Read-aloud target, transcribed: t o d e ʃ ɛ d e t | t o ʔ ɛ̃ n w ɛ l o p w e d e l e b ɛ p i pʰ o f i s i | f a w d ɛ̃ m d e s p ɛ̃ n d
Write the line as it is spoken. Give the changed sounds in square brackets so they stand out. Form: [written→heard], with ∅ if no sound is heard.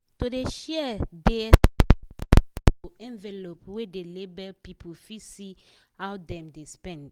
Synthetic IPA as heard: t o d e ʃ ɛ d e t | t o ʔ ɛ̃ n [w→v] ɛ l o p w e d e l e b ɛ p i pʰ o f i s i | [f→h] a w d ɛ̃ m d e s p ɛ̃ n d